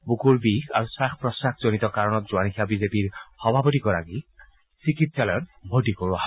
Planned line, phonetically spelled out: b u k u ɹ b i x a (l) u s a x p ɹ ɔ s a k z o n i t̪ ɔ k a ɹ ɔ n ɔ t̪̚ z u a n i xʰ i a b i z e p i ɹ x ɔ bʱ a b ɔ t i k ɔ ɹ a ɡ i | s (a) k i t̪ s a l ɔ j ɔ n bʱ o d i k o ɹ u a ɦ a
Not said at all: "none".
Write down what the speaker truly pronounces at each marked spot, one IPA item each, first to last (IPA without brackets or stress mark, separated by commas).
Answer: ɹ, i